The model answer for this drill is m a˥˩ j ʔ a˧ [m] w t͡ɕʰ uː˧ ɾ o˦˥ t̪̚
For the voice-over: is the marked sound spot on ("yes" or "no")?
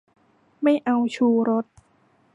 no